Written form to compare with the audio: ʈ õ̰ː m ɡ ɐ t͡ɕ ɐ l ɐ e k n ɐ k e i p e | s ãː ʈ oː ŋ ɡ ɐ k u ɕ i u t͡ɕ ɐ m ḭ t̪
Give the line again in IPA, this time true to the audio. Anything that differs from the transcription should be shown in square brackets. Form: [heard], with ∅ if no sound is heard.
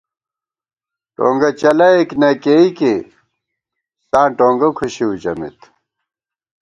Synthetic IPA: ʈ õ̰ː [ŋ] ɡ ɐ t͡ɕ ɐ l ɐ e k n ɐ k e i [k] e | s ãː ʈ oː ŋ ɡ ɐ [kʰ] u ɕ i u t͡ɕ ɐ m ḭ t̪

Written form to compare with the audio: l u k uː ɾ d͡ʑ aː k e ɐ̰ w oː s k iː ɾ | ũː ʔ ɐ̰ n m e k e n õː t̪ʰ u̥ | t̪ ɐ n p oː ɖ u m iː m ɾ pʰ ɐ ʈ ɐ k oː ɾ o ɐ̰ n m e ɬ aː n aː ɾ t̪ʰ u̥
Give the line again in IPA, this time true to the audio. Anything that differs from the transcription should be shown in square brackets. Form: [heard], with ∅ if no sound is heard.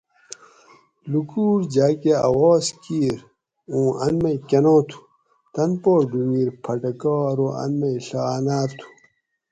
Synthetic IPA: l u k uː ɾ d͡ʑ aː k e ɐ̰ w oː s k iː ɾ | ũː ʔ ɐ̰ n m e k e n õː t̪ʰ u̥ | t̪ ɐ n p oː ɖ u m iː [∅] ɾ pʰ ɐ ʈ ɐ k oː ɾ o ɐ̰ n m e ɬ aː n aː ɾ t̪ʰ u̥

